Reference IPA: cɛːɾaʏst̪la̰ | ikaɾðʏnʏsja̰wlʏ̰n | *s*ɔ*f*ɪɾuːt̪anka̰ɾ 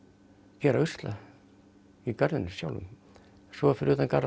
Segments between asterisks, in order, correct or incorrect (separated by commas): correct, correct